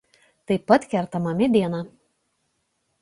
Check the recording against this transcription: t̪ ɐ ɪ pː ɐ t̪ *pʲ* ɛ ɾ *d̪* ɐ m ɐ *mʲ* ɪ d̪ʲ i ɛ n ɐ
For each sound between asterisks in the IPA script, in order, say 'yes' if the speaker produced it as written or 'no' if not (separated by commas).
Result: no, no, yes